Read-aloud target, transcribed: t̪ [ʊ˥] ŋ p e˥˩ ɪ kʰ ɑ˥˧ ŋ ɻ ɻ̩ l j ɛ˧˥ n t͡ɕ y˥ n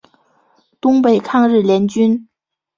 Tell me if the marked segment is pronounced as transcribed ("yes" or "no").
yes